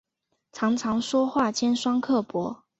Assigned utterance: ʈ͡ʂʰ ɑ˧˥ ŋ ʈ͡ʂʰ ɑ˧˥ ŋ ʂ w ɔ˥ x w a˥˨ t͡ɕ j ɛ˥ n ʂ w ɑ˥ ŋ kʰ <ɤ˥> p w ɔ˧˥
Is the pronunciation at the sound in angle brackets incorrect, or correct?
incorrect: ɤ˥˩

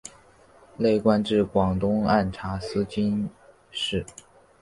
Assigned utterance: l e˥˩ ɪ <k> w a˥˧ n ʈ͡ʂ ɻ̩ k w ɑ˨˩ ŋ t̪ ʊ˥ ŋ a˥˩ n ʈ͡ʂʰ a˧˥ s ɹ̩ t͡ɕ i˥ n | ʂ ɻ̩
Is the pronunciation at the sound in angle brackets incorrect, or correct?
correct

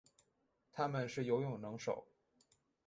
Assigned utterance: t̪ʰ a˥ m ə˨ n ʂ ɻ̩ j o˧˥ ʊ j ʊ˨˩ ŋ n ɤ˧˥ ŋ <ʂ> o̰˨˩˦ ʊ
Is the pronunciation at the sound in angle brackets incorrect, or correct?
correct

